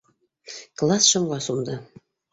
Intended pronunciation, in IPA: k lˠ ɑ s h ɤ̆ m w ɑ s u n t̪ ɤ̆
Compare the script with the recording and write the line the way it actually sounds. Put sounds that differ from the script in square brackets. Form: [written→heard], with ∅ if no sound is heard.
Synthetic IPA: k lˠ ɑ s [h→ʃ] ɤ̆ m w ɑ s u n [t̪→d̪] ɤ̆